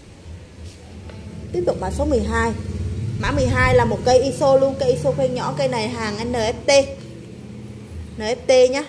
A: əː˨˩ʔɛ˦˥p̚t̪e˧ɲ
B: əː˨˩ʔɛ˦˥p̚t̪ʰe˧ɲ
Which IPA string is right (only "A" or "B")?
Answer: A